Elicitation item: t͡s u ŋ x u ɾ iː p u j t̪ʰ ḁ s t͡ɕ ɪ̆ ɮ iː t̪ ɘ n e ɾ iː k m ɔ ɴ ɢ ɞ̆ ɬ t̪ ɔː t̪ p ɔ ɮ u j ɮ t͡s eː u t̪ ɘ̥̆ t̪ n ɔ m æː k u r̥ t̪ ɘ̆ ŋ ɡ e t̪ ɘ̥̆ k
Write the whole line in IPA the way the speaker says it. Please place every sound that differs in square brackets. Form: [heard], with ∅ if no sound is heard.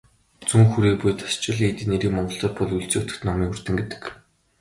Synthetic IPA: t͡s u ŋ x u ɾ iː p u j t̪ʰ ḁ s t͡ɕ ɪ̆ ɮ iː t̪ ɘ n e ɾ iː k m ɔ ɴ ɢ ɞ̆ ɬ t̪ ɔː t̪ p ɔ ɮ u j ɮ t͡s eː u t̪ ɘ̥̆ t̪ n ɔ m [iː] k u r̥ t̪ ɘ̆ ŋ ɡ e t̪ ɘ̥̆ k